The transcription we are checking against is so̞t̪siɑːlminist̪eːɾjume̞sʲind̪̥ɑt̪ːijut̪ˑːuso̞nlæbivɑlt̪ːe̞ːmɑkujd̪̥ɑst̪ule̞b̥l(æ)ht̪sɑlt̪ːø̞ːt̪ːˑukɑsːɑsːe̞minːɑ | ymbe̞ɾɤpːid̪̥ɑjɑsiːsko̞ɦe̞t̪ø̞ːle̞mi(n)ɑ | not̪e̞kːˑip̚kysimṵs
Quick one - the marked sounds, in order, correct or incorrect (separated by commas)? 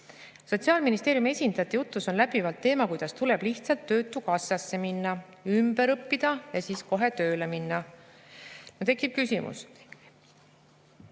incorrect, incorrect